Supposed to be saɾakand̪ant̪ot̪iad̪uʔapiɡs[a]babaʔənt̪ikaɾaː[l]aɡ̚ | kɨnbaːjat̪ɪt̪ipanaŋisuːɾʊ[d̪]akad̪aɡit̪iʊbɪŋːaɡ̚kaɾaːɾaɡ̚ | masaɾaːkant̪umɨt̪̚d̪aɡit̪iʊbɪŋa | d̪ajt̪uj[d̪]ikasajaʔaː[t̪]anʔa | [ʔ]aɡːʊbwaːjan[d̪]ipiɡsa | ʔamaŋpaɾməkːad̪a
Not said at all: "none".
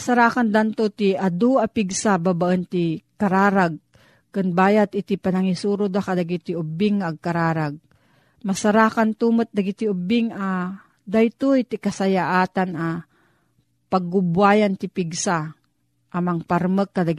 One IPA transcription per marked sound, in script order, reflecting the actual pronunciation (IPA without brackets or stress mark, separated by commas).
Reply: a, ɾ, d̪, t̪, t̪, p, t̪